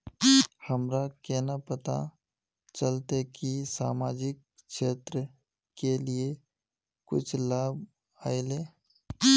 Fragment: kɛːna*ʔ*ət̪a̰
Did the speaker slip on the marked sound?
yes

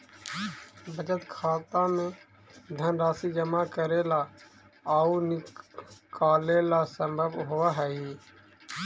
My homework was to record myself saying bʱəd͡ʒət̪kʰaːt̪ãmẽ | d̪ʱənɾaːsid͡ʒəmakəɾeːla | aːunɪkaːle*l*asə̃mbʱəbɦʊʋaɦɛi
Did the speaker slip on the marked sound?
no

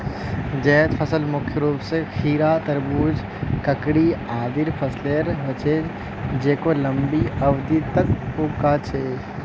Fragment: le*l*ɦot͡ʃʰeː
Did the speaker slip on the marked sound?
yes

